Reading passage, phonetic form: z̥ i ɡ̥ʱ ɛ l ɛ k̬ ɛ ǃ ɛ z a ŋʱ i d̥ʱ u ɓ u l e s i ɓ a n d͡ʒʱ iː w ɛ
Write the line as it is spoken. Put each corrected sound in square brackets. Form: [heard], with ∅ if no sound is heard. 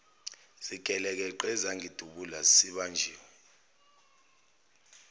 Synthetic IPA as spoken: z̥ i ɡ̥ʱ ɛ l ɛ k̬ ɛ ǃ ɛ z a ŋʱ i d̥ʱ u ɓ u l [a] s i ɓ a n d͡ʒʱ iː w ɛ

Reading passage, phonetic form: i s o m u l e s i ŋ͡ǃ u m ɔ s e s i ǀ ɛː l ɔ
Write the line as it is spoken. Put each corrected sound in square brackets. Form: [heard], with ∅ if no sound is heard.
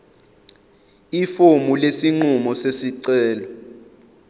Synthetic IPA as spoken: i [f] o m u l e s i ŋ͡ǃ u m ɔ s e s i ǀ ɛː l ɔ

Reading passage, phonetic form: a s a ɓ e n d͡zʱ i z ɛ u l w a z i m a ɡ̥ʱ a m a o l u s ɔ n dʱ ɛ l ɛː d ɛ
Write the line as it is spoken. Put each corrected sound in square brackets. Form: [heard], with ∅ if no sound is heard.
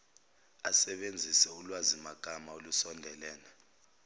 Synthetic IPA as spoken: a s [ɛ] ɓ e n d͡zʱ i [s] ɛ u l w a z i m a ɡ̥ʱ a m a o l u s ɔ n dʱ ɛ l ɛː [n] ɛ

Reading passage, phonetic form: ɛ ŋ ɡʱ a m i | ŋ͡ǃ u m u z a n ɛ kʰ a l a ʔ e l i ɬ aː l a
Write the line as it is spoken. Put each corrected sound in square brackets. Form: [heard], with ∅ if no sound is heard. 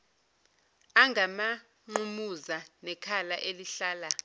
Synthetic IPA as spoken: [a] ŋ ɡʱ a m [a] | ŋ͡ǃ u m u z a n ɛ kʰ a l a ʔ e l i ɬ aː l a

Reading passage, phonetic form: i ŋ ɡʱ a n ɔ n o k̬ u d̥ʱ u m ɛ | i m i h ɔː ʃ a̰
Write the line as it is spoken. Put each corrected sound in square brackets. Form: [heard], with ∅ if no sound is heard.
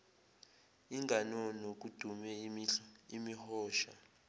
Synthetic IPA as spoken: i ŋ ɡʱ a n ɔ n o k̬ u d̥ʱ u m ɛ | i m i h ɔː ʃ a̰

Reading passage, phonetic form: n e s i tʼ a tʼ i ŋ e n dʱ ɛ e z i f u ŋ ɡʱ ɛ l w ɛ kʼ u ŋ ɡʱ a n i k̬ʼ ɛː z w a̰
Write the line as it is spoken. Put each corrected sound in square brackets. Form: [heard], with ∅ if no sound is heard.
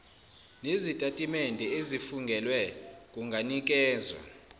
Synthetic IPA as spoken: n e [z] i tʼ a tʼ i [m] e n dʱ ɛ e z i f u ŋ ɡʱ ɛ l w ɛ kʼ u ŋ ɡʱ a n i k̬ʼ ɛː z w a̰

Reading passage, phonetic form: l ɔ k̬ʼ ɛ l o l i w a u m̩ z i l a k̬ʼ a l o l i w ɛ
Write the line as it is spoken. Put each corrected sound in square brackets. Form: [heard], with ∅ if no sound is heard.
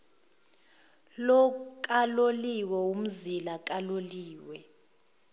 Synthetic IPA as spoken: l ɔ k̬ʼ [a] l o l i w [ɛ] u m̩ z i l a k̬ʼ a l o l [iː] w ɛ

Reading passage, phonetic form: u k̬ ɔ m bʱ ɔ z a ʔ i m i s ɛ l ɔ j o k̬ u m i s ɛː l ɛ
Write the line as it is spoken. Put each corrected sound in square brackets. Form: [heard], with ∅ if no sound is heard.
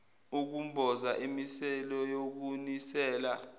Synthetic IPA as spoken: u k̬ [u] m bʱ ɔ z a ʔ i m i s ɛ l ɔ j o k̬ u [n] i s ɛː l [a]

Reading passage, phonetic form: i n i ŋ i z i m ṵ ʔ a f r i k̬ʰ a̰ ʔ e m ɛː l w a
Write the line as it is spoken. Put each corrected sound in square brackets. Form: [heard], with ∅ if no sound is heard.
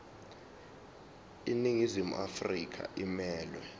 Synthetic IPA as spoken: i n i ŋ i z i m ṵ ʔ a f r i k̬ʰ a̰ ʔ [i] m ɛː l w [ɛ]

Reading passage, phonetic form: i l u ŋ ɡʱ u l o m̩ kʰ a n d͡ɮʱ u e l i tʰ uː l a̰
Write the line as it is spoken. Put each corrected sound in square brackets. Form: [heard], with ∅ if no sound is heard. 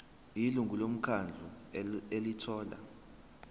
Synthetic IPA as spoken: i l u ŋ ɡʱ u l o m̩ kʰ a n d͡ɮʱ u e l i tʰ [ɔː] l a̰

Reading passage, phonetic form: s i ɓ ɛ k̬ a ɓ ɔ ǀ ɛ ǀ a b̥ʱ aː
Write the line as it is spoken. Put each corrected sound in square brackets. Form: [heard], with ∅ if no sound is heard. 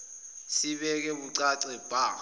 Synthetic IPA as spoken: s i ɓ ɛ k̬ [ɛ] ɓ [u] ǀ [a] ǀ [ɛ] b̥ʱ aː

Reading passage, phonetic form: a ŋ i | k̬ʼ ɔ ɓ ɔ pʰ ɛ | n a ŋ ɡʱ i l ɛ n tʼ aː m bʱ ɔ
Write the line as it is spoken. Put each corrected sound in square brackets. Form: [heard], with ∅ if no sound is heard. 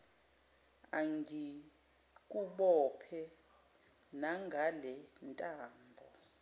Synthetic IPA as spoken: a ŋ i | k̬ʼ [u] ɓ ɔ pʰ ɛ | n a ŋ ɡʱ [a] l ɛ n tʼ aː m bʱ ɔ

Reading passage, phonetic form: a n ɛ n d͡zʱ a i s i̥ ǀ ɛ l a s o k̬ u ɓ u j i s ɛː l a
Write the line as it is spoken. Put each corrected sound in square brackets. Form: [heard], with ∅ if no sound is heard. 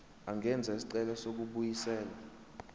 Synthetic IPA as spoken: a [ŋ] ɛ n d͡zʱ a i s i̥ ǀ ɛ l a s o k̬ u ɓ u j i s ɛː l a

